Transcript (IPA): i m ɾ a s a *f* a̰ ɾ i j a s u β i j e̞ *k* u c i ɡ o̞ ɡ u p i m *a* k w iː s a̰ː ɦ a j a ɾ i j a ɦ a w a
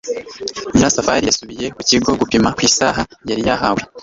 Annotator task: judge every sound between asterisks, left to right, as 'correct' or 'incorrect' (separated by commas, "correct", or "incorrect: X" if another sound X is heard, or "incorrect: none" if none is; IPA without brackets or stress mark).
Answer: correct, correct, correct